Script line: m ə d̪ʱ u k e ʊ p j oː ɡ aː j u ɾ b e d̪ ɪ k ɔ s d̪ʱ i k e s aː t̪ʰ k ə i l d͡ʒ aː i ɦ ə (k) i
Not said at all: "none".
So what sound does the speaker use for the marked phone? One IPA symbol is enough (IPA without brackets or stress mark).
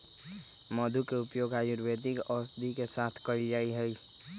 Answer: none